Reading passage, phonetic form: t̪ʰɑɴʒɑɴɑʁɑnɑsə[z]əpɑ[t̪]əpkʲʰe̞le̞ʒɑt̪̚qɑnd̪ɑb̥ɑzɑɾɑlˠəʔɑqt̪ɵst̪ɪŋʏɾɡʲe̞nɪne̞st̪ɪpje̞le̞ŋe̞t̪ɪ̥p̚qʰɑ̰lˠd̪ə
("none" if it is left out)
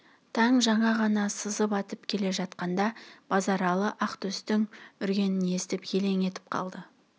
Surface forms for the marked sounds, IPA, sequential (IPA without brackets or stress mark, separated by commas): z, t̪